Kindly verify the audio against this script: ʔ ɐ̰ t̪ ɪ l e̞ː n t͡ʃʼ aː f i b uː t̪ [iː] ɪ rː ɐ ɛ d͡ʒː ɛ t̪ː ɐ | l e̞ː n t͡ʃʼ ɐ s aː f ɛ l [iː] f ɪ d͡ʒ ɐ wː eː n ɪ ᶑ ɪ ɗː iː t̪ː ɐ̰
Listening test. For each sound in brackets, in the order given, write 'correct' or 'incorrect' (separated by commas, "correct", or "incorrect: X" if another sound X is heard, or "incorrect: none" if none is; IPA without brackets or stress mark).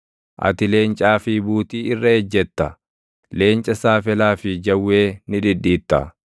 correct, incorrect: aː